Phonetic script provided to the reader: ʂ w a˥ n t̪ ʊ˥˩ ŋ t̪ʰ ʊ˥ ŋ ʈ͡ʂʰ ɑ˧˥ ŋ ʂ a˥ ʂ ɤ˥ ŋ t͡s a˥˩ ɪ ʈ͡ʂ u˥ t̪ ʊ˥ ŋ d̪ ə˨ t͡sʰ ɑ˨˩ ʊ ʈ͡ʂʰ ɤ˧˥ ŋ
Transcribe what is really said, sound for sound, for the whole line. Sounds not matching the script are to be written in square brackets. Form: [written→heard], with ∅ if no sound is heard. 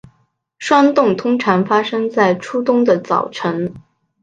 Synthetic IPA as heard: ʂ w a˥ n t̪ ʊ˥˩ ŋ t̪ʰ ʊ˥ ŋ ʈ͡ʂʰ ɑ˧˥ ŋ [ʂ→f] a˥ ʂ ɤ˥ ŋ t͡s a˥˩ ɪ [ʈ͡ʂ→ʈ͡ʂʰ] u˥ t̪ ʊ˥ ŋ d̪ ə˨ [t͡sʰ→t͡s] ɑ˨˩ ʊ ʈ͡ʂʰ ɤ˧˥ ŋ